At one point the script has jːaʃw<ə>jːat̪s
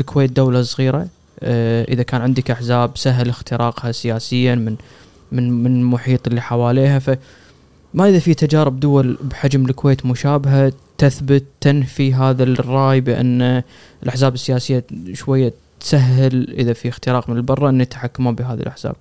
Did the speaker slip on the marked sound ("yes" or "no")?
yes